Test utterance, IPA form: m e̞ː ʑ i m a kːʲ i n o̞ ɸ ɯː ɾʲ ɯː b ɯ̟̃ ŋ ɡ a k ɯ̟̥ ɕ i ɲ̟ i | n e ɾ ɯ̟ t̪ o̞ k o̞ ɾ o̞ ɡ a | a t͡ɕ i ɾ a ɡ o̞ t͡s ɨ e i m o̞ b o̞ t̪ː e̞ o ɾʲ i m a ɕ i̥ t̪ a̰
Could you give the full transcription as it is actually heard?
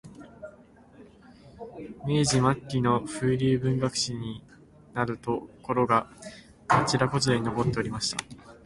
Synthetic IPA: m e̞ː ʑ i m a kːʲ i n o̞ ɸ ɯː ɾʲ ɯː b ɯ̟̃ ŋ ɡ a k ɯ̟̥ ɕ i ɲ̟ i | n a ɾ ɯ̟ t̪ o̞ k o̞ ɾ o̞ ɡ a | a t͡ɕ i ɾ a k o̞ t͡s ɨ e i n o̞ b o̞ t̪ː e̞ o ɾʲ i m a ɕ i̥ t̪ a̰